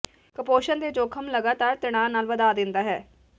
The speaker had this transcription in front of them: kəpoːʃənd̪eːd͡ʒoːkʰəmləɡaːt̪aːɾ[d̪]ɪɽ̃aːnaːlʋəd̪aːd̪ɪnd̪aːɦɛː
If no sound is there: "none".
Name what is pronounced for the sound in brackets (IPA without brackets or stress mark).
t̪